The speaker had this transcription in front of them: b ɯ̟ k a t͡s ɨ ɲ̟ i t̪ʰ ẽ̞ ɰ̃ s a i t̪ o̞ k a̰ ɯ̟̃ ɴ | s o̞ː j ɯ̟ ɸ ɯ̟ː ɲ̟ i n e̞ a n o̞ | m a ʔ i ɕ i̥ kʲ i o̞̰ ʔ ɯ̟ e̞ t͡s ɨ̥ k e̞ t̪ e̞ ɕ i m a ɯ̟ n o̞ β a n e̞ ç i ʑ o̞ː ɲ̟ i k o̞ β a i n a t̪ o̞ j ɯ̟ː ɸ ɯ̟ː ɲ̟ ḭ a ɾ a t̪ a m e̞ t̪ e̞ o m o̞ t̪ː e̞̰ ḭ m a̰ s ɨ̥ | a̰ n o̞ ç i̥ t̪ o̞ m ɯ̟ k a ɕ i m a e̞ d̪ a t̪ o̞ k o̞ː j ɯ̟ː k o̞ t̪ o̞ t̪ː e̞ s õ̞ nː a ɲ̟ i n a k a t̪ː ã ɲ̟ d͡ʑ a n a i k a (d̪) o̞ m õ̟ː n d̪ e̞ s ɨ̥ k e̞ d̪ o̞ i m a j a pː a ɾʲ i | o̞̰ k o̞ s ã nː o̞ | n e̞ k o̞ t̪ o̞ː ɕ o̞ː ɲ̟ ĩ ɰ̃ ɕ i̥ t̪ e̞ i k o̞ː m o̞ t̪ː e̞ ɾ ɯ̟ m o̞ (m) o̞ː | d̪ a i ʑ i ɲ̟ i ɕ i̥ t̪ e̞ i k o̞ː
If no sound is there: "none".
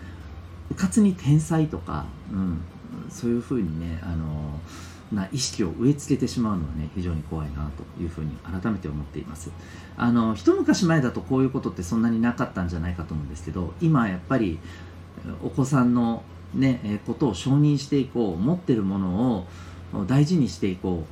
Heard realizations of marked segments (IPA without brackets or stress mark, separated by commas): t̪, n